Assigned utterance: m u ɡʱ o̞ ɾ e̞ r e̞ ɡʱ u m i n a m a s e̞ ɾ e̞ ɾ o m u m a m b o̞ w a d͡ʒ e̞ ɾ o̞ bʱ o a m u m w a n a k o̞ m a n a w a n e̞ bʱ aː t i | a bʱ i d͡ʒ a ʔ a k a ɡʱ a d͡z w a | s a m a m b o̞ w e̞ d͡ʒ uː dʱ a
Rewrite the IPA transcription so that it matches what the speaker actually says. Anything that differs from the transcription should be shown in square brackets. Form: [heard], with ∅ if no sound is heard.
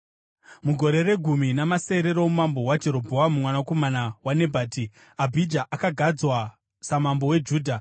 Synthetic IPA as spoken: m u ɡʱ o̞ ɾ e̞ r e̞ ɡʱ u m i n a m a s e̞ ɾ e̞ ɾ o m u m a m b o̞ w a d͡ʒ e̞ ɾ o̞ bʱ o a m u m w a n a k o̞ m a n a w a n e̞ bʱ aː t i | a bʱ i d͡ʒ a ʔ a k a ɡʱ a d͡z w a | s a m a m b o̞ w e̞ d͡ʒ uː dʱ a